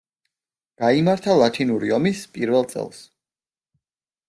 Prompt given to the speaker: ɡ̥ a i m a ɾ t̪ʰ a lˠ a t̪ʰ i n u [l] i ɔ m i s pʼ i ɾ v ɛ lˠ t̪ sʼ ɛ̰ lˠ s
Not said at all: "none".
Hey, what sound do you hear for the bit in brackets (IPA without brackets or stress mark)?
ɾ